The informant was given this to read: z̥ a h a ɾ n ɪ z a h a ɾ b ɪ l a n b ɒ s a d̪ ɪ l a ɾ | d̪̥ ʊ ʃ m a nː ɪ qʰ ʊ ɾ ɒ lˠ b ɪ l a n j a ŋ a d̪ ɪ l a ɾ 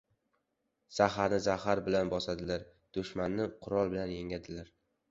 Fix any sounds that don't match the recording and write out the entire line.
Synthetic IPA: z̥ a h a ɾ n ɪ z a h a ɾ b ɪ l a n b ɒ s a d̪ ɪ l a ɾ | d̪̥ ʊ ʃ m a nː ɪ qʰ ʊ ɾ ɒ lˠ b ɪ l a n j e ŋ a d̪ ɪ l a ɾ